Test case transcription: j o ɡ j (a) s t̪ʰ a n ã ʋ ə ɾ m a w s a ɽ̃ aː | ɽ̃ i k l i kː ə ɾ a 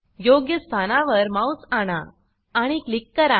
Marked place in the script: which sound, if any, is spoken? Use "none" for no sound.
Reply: ə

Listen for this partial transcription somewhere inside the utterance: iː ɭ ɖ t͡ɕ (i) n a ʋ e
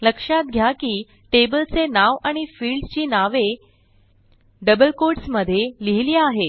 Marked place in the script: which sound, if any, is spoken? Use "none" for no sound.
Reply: iː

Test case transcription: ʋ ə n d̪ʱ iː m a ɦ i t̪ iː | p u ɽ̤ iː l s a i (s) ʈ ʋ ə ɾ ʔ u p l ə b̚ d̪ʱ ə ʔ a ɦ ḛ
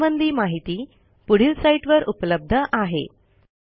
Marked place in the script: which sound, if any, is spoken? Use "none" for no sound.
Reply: none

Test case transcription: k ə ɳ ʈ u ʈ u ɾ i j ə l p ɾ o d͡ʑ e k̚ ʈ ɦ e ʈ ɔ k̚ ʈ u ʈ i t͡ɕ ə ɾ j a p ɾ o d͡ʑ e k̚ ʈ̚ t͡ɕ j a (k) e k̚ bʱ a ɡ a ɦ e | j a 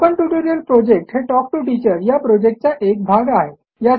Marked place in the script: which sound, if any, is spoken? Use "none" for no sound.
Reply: ʔ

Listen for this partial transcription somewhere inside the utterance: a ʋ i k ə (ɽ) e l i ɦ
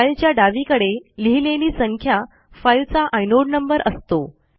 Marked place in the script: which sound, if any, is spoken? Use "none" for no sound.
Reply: ɽ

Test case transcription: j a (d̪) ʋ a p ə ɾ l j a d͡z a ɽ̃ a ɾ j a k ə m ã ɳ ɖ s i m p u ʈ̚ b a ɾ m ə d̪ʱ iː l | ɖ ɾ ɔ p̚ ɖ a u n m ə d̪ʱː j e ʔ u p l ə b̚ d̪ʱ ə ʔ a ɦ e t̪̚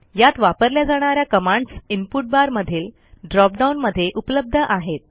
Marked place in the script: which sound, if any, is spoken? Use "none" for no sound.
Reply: t̪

